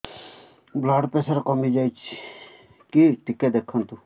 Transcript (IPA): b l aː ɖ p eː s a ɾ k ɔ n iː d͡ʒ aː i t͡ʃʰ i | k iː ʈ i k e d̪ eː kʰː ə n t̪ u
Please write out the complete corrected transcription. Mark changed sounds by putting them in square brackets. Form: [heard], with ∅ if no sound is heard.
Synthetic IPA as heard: b l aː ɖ p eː s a ɾ k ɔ [m] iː d͡ʒ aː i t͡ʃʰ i | k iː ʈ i k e d̪ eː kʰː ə n t̪ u